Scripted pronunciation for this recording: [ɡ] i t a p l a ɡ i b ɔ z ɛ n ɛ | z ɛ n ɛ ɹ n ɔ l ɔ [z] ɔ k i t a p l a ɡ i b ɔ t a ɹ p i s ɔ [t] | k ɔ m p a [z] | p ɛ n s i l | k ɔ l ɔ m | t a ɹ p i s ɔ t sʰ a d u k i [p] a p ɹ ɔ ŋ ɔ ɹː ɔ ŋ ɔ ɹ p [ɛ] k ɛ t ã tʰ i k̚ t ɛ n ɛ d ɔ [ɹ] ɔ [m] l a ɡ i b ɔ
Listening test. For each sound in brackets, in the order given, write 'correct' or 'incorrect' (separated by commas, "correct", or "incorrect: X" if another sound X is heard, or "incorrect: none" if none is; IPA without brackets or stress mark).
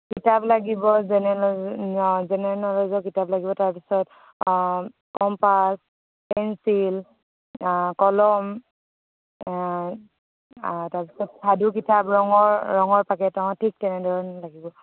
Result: incorrect: k, correct, correct, incorrect: s, incorrect: t, incorrect: a, correct, incorrect: n